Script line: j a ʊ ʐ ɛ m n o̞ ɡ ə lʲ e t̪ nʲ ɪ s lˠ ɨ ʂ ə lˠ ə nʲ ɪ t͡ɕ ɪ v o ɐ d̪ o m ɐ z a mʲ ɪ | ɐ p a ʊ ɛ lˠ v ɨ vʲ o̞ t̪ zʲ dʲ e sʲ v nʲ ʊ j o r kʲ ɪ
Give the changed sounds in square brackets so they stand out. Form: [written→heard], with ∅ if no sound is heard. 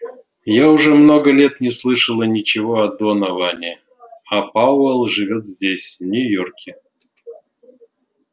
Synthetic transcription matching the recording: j a ʊ ʐ ɛ m n o̞ ɡ ə lʲ e t̪ nʲ ɪ s lˠ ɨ ʂ ə lˠ ə nʲ ɪ t͡ɕ ɪ v o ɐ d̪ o [m→n] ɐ [z→v] a [mʲ→nʲ] ɪ | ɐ p a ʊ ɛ lˠ [v→ʐ] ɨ vʲ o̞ t̪ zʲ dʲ e sʲ v nʲ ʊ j o r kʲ ɪ